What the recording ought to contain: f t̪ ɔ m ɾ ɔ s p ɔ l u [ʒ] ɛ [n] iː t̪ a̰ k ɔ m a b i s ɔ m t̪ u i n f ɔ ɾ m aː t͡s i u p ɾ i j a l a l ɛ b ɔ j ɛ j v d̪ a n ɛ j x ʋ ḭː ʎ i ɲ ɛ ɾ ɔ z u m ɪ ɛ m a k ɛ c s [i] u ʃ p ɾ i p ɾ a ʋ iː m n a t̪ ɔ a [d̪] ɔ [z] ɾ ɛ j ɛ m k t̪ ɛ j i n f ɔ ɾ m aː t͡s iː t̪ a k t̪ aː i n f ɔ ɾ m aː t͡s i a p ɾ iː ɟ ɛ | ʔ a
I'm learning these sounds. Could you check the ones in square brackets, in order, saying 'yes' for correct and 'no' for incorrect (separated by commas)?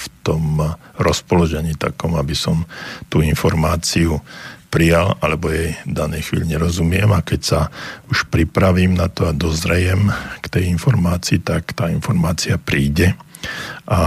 yes, no, no, yes, yes